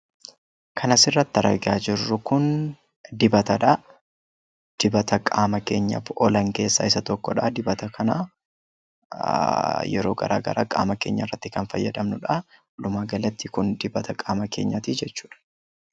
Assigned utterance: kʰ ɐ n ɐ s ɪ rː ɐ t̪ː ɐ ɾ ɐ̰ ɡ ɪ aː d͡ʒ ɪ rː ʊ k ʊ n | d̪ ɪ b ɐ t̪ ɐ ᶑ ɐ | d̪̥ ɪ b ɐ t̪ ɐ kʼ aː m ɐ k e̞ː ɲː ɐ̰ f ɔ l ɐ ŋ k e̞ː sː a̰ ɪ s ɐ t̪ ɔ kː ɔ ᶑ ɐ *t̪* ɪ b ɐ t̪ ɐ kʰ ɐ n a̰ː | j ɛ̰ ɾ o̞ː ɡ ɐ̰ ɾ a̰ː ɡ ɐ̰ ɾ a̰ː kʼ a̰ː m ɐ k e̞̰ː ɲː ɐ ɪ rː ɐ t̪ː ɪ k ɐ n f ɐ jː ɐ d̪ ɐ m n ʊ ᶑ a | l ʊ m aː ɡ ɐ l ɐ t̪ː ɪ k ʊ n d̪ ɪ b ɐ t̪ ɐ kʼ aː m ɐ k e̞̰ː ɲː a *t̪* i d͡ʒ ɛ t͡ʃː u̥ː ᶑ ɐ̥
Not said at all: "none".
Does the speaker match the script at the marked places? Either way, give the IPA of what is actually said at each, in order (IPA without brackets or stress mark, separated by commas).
d̪, t̪